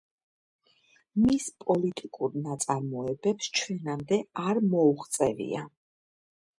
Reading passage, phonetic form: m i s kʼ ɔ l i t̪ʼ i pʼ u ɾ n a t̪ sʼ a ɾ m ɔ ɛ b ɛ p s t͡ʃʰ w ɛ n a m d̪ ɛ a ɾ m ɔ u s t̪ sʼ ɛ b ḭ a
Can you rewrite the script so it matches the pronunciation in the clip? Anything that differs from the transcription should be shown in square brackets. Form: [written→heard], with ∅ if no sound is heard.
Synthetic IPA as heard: m i s [kʼ→pʼ] ɔ l i t̪ʼ i [pʼ→kʼ] u ɾ n a t̪ sʼ a ɾ m ɔ ɛ b ɛ p s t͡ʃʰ w ɛ n a m d̪ ɛ a ɾ m ɔ u [s→χ] t̪ sʼ ɛ [b→v] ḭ a